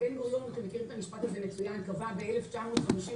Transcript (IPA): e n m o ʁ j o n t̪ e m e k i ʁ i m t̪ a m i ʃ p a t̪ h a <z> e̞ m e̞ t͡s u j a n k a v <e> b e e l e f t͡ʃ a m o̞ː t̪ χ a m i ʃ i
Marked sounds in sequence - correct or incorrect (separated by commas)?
correct, incorrect